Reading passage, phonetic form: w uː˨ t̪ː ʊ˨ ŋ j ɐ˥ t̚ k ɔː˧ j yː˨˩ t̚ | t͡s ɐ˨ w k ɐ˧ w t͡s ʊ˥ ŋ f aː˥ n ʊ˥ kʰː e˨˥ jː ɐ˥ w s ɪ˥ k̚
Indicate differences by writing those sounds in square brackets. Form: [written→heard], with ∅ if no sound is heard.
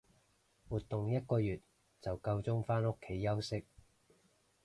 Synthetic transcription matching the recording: w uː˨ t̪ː ʊ˨ ŋ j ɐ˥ t̚ k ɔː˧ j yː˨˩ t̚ | t͡s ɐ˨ w k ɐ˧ w t͡s ʊ˥ ŋ f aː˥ n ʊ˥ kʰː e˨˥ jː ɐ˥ w s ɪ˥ k̚

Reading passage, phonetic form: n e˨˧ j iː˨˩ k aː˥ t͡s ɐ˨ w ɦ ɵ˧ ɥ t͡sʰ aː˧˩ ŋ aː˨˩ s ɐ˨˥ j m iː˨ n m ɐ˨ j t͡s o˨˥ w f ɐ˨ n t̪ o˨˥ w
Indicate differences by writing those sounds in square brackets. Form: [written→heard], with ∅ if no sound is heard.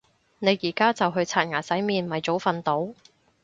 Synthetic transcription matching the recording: n e˨˧ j iː˨˩ k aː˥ t͡s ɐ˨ w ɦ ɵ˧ ɥ t͡sʰ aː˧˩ ŋ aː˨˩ s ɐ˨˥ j m iː˨ n m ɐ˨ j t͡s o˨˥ w f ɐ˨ n t̪ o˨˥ w

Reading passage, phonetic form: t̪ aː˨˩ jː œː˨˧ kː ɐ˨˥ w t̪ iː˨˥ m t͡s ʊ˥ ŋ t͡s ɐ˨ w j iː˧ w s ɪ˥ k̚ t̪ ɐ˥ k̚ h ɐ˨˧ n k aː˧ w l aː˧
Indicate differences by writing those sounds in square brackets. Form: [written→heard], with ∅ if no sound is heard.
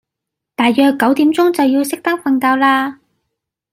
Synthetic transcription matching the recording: t̪ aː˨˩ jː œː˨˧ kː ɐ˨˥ w t̪ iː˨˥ m t͡s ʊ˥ ŋ t͡s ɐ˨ w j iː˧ w s ɪ˥ k̚ t̪ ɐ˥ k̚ [h→f] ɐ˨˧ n k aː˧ w l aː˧

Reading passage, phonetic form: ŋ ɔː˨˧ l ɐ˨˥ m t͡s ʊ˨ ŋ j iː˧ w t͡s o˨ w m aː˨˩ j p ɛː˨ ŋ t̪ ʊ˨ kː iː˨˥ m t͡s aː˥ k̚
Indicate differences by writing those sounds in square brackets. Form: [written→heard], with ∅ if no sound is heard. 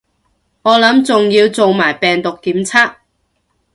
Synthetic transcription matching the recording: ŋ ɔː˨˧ l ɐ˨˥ m t͡s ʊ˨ ŋ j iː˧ w t͡s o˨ w m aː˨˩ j p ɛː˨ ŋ t̪ ʊ˨ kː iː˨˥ m [t͡s→t͡sʰ] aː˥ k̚

